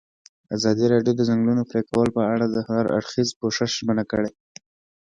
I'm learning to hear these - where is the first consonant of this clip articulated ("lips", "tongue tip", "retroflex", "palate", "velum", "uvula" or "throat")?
tongue tip